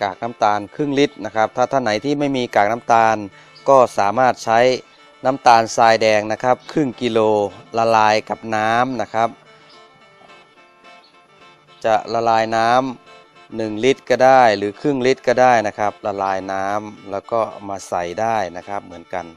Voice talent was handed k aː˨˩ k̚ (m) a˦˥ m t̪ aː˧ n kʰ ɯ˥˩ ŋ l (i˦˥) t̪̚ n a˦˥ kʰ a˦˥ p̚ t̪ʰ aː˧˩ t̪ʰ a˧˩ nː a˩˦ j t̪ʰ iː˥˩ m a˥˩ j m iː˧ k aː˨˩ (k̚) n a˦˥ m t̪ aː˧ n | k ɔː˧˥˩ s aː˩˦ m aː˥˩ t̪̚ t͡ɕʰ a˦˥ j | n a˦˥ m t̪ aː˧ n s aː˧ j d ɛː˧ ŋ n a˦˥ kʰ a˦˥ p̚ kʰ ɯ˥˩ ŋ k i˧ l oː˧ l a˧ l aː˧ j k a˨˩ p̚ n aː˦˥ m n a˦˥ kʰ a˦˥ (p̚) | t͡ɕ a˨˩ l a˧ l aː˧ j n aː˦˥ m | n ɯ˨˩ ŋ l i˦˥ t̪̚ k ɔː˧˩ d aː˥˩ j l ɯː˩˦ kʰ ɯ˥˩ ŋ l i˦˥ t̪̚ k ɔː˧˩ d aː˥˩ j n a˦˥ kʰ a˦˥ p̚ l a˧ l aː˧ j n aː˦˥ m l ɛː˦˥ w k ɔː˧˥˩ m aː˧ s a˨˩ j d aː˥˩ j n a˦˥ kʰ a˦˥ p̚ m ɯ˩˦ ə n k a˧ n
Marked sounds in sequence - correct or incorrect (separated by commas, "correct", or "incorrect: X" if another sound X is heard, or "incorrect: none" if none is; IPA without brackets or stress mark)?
incorrect: n, correct, correct, correct